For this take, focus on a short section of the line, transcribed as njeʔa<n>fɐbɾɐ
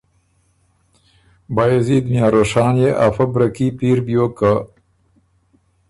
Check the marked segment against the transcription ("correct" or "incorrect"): incorrect